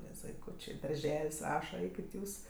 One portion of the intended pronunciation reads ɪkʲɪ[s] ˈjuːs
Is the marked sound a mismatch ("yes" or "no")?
yes